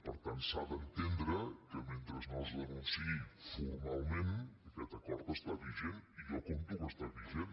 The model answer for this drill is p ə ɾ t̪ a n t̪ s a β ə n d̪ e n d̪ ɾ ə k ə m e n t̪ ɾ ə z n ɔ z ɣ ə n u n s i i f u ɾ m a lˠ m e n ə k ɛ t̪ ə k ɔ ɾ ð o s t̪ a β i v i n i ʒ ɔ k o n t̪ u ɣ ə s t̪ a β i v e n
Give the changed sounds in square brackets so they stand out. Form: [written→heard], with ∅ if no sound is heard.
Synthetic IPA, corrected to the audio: p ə ɾ t̪ a n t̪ s a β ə n [d̪→t̪] e n d̪ ɾ ə k ə m e n t̪ ɾ ə z n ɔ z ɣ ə n u n s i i f u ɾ m a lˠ m e n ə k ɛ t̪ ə k ɔ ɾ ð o s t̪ a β i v [i→e] n i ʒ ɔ k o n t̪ u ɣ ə s t̪ a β i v e n